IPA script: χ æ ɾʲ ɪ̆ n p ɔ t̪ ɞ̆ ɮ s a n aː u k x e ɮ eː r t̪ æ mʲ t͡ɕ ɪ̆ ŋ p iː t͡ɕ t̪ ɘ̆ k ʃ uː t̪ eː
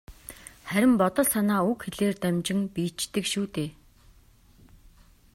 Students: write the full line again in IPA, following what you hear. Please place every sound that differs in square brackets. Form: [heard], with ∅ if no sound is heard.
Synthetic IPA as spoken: χ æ ɾʲ ɪ̆ [m] p ɔ t̪ ɞ̆ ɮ s a n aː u k x e ɮ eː r t̪ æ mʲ t͡ɕ ɪ̆ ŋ p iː t͡ɕ t̪ ɘ̆ k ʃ uː t̪ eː